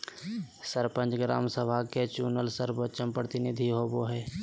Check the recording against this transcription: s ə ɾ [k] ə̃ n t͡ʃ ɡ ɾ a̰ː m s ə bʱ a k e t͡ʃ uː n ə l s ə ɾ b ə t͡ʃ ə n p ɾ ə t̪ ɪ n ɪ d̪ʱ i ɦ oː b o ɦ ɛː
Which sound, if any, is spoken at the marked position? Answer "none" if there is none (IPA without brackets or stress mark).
p